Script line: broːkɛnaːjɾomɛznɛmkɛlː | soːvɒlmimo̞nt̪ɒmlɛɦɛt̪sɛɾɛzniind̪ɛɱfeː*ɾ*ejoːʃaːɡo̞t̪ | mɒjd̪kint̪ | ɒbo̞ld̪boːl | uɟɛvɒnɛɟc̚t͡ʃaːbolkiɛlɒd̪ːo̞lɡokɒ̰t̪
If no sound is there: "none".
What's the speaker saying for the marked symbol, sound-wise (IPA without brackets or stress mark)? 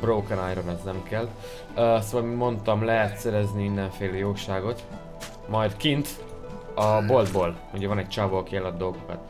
l